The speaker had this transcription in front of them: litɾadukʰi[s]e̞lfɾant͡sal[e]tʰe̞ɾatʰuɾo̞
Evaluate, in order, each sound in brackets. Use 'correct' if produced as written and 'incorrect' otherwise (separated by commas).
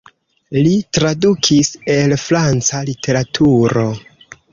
correct, incorrect